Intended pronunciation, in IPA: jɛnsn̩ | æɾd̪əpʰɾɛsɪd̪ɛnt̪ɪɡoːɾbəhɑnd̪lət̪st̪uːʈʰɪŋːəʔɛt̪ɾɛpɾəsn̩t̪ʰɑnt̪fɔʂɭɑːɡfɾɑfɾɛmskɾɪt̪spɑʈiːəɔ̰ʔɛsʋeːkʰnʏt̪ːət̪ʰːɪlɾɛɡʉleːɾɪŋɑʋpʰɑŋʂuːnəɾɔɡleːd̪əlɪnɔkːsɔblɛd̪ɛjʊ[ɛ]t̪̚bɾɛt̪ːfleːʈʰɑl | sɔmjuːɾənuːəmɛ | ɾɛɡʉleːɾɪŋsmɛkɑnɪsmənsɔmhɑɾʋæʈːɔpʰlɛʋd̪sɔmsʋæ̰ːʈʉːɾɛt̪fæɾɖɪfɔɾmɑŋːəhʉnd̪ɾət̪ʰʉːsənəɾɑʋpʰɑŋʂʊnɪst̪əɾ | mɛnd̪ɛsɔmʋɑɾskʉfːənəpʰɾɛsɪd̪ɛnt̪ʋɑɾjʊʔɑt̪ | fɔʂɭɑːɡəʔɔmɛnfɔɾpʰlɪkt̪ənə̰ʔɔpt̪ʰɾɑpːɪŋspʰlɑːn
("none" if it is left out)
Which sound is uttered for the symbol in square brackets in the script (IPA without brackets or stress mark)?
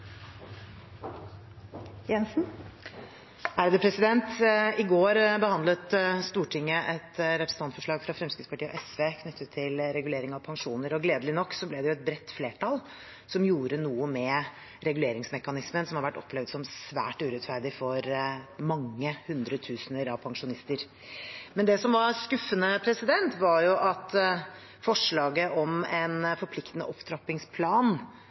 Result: ɛ